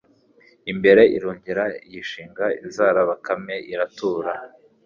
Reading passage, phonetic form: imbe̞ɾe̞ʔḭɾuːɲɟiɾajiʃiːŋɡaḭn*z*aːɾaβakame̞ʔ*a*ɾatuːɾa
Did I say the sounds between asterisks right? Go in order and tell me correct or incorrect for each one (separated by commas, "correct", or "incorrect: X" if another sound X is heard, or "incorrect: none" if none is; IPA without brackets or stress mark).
correct, incorrect: i